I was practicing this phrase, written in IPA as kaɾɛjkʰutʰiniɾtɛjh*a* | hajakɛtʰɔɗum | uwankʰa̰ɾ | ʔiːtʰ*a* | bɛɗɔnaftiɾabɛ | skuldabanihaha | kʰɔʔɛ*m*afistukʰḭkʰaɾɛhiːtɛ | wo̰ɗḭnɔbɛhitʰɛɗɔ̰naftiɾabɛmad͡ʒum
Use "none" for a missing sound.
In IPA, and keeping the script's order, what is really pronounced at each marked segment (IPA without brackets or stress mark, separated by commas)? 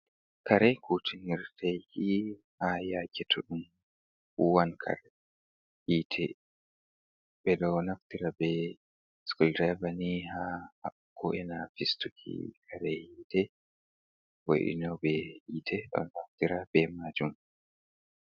i, ɛ, n